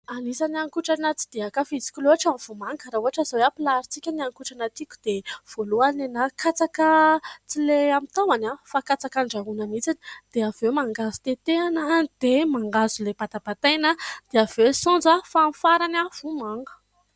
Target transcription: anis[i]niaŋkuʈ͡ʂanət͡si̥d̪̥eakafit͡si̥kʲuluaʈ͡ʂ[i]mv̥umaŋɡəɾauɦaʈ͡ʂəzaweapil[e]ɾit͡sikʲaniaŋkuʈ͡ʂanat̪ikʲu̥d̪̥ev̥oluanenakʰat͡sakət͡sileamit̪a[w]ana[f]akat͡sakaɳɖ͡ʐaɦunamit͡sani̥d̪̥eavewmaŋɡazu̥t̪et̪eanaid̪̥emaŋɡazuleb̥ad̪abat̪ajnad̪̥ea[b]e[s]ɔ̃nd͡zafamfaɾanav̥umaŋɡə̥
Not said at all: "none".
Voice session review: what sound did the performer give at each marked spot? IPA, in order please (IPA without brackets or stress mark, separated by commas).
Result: a, a, a, w, f, v, s